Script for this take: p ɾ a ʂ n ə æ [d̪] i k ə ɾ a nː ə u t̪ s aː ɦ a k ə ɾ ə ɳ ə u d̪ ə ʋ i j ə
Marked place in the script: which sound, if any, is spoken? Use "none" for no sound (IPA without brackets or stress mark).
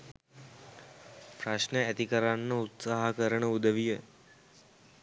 t̪